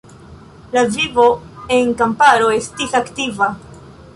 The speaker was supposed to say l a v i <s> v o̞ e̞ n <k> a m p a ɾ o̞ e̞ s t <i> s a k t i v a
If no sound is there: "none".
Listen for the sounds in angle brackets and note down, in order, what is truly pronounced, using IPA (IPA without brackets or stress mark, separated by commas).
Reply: none, k, i